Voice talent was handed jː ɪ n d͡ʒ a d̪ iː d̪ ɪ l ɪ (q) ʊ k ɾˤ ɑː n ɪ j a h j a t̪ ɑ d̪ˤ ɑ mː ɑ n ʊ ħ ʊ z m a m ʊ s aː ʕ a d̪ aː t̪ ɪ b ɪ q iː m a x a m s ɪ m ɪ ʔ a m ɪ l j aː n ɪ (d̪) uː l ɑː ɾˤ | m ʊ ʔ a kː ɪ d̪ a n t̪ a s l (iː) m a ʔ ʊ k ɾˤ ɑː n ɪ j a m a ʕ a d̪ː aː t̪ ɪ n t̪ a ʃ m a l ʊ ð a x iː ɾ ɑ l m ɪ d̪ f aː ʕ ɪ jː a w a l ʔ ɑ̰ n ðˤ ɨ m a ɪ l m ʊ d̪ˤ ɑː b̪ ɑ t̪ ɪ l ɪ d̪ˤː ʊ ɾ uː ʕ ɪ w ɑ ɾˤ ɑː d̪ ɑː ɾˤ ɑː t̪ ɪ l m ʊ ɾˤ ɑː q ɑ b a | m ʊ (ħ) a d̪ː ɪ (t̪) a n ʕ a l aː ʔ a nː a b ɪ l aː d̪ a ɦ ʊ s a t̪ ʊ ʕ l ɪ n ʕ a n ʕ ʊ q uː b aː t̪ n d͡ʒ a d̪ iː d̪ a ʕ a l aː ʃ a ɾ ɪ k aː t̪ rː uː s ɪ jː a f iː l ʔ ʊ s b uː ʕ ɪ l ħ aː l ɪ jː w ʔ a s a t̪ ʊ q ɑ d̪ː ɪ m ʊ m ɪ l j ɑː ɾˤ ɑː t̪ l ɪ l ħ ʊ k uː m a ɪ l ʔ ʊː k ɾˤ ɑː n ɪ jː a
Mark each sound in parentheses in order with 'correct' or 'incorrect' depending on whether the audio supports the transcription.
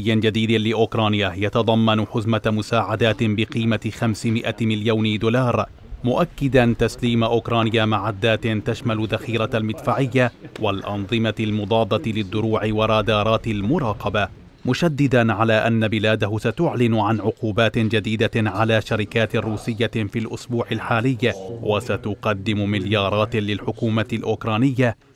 incorrect: ʔ, correct, correct, incorrect: ʃ, incorrect: d̪

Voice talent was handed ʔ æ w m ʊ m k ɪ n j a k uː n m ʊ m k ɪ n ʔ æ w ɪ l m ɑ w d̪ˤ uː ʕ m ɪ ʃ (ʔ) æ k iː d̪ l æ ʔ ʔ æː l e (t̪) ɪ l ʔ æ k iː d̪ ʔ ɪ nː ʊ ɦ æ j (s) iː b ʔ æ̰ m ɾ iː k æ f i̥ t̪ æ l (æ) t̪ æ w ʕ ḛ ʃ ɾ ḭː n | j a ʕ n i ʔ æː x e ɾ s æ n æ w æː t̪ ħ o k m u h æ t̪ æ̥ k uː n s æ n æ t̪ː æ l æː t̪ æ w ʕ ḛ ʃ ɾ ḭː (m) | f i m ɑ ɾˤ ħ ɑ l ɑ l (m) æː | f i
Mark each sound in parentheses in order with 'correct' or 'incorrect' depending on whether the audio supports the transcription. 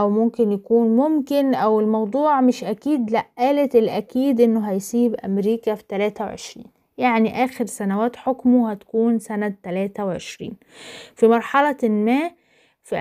correct, correct, correct, incorrect: æː, incorrect: n, correct

